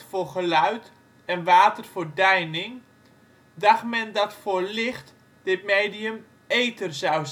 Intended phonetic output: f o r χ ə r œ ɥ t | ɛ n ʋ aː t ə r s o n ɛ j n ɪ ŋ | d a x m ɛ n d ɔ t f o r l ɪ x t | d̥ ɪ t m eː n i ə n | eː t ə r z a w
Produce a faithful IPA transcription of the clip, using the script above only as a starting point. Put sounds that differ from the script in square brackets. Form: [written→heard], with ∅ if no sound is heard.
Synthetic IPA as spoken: f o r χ ə [r→l] œ ɥ t | ɛ n ʋ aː t ə r [s→f] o [n→d] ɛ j n ɪ ŋ | d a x m ɛ n d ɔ t f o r l ɪ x t | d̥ ɪ t m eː [n→d] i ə [n→m] | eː t ə r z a w

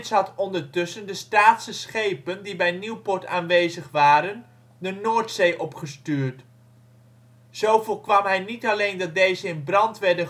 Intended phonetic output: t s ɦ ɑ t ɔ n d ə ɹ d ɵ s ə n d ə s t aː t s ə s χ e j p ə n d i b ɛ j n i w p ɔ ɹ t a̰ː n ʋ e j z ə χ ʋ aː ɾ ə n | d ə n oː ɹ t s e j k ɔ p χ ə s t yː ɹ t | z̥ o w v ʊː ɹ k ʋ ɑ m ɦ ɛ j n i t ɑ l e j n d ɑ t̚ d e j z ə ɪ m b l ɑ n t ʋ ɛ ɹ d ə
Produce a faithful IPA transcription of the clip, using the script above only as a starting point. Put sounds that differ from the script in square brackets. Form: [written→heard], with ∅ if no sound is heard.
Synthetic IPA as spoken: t s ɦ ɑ t ɔ n d ə ɹ [d→t] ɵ s ə n d ə s t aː t s ə s χ e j p ə n d i b ɛ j n i w p ɔ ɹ t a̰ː n ʋ e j z ə χ ʋ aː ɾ ə n | d ə n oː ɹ t s e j [k→ʔ] ɔ p χ ə s t yː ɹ t | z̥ o w v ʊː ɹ k ʋ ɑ m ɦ ɛ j n i t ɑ l e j n d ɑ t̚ d e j z ə ɪ [m→n] b [l→r] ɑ n t ʋ ɛ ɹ d ə

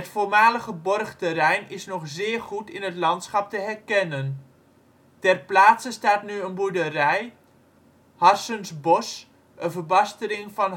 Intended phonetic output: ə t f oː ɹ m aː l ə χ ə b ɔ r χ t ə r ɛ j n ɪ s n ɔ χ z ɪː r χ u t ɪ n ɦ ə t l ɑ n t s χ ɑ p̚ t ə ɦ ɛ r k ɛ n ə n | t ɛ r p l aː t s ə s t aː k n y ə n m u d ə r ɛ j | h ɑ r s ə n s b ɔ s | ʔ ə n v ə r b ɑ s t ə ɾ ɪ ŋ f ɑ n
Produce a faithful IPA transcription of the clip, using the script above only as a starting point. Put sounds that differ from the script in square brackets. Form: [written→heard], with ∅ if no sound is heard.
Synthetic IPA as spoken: ə t f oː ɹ m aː l ə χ ə b ɔ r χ t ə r ɛ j n ɪ s n ɔ χ z ɪː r χ u t ɪ n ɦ ə t l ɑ n t s χ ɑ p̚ t ə ɦ ɛ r k ɛ n ə n | t ɛ r p l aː t s ə s t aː [k→t] n y ə n [m→b] u d ə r ɛ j | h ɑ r s ə n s b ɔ s | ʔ ə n v ə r b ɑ s t ə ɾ ɪ ŋ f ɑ n

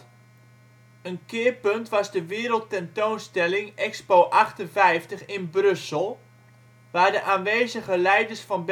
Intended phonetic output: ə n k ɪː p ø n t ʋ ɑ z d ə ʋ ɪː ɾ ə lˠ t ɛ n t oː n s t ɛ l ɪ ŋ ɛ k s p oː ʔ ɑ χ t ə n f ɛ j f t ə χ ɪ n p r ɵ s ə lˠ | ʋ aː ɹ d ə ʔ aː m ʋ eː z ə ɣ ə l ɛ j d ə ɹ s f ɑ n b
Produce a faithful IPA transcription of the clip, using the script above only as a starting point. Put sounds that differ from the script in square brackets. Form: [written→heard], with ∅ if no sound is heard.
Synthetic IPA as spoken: ə n k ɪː p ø n t ʋ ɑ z d ə ʋ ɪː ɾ ə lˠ t ɛ n t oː n s t ɛ l ɪ ŋ ɛ k s p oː ʔ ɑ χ t ə n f ɛ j f t ə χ ɪ n [p→b] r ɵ s ə lˠ | ʋ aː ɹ d ə ʔ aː [m→n] ʋ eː z ə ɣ ə l ɛ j d ə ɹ s f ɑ n b

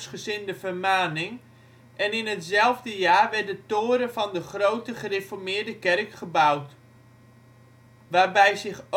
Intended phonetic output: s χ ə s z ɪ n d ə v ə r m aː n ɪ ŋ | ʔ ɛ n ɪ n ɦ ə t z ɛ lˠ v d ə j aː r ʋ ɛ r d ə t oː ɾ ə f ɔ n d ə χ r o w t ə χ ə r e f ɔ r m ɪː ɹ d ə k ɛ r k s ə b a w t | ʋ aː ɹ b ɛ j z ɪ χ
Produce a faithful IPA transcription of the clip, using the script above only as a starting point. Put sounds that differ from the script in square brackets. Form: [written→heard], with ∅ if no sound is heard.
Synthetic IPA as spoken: s χ ə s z ɪ n d ə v ə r m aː n ɪ ŋ | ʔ ɛ n ɪ n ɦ ə t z ɛ lˠ v d ə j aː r ʋ ɛ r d ə t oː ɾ ə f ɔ n d ə χ r o w t ə χ ə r e f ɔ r m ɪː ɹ d ə k ɛ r k [s→χ] ə b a w t | ʋ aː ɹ b ɛ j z ɪ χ

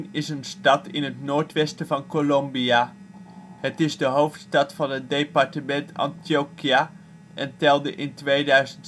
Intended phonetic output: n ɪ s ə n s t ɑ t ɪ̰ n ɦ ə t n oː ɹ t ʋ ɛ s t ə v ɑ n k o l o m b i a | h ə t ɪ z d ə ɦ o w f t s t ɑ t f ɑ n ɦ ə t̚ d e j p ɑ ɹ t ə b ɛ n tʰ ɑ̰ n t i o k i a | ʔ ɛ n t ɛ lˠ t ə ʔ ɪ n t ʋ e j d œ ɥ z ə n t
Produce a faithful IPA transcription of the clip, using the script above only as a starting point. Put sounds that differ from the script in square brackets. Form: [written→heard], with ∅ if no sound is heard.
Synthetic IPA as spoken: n ɪ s ə n s t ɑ t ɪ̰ n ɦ ə t n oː ɹ t ʋ ɛ s t ə v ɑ n k o l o m b i a | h ə t ɪ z d ə ɦ o w f t s t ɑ t f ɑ n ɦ ə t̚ d e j p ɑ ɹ t ə [b→m] ɛ n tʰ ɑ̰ n t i o k i a | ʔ ɛ n t ɛ lˠ [t→d] ə ʔ ɪ n t ʋ e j d œ ɥ z ə n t

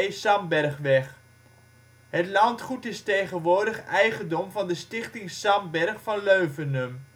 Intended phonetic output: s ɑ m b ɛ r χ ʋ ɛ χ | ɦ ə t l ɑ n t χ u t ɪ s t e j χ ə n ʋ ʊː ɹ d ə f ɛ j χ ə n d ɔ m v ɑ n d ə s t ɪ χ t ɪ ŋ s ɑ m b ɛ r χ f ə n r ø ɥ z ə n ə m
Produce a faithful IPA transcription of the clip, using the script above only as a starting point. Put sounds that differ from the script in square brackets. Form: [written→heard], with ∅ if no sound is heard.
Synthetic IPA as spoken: s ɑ m b ɛ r χ ʋ ɛ χ | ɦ ə t l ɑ n t χ u t ɪ s t e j χ ə n ʋ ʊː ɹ d ə [f→χ] ɛ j χ ə n d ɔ m v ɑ n d ə s t ɪ χ t ɪ ŋ s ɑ m b ɛ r χ f [ə→ɑ] n [r→l] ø ɥ [z→v] ə n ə m

